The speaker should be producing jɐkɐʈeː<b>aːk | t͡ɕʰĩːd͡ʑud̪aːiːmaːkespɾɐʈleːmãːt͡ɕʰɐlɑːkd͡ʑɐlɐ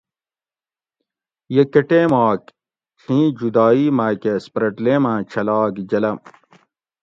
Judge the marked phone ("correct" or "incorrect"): incorrect